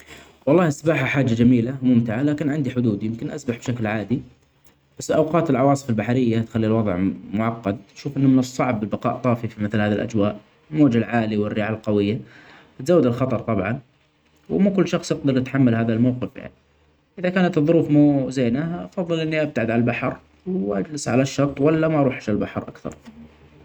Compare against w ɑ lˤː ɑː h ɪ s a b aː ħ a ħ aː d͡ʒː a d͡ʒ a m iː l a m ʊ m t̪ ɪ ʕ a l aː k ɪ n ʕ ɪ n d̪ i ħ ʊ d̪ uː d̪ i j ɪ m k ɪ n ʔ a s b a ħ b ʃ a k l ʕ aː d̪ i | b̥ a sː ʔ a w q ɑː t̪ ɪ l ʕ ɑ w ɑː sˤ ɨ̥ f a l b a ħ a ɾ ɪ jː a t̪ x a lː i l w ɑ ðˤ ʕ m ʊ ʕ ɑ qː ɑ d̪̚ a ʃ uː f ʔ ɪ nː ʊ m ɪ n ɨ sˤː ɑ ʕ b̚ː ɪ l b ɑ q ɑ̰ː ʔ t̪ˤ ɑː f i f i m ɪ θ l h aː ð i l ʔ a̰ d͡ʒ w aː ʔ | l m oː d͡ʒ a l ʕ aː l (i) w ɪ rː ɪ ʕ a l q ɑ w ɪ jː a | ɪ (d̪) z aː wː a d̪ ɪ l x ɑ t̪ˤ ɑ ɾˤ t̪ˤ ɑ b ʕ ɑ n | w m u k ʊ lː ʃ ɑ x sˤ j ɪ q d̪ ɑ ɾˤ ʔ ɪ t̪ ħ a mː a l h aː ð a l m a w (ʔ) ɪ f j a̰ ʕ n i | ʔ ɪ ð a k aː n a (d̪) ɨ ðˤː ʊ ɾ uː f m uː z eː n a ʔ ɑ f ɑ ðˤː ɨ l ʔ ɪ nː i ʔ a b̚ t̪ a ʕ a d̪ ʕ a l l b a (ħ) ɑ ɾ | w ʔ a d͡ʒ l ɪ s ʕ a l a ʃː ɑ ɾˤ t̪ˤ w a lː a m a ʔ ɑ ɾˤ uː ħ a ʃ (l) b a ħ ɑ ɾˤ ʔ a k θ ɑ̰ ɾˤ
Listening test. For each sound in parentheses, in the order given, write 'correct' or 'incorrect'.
correct, incorrect: t̪, incorrect: q, incorrect: t̪, correct, correct

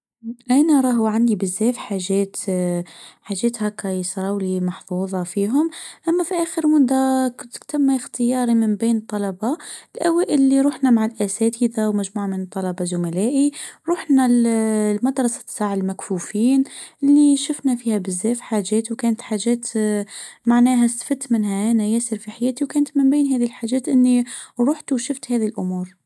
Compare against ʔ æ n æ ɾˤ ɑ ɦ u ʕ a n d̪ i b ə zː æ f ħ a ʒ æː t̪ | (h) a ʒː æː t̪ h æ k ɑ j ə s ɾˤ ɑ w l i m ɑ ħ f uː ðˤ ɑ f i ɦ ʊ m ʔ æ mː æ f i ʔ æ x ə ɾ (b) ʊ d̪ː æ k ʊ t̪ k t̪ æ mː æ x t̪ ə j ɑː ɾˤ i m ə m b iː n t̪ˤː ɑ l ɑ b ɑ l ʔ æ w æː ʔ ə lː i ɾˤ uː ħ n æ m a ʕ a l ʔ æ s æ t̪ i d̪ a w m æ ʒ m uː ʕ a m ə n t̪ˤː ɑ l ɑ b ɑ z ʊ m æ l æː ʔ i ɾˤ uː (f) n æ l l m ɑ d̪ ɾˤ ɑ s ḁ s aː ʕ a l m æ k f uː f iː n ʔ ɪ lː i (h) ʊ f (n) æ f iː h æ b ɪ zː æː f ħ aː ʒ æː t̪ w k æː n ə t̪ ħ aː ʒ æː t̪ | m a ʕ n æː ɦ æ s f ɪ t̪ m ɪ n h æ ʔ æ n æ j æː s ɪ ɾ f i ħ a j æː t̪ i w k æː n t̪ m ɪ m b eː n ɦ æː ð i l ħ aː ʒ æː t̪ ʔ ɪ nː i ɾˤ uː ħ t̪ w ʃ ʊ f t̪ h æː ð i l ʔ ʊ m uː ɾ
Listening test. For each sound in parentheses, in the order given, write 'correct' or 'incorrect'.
incorrect: ħ, incorrect: m, incorrect: ħ, incorrect: ʃ, correct

